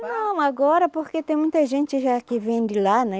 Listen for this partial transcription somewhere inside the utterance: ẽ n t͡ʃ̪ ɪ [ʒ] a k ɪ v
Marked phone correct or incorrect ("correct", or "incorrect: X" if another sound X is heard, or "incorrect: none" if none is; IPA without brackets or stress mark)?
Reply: correct